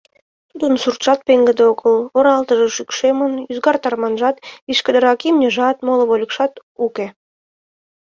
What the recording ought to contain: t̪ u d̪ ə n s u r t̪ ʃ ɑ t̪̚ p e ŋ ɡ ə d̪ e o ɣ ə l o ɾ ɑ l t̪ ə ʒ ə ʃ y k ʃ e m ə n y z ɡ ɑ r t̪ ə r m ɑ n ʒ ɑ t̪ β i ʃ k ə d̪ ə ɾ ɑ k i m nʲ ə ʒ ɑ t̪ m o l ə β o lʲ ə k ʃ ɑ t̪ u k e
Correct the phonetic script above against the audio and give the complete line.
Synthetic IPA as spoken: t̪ u d̪ ə n s u r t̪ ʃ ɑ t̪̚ p e ŋ ɡ ə d̪ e o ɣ ə l o ɾ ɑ l t̪ ə ʒ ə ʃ y k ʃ e m ə n y z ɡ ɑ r t̪ ɑ r m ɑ n ʒ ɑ t̪ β i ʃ k ə d̪ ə ɾ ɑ k i m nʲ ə ʒ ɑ t̪ m o l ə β o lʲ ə k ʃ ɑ t̪ u k e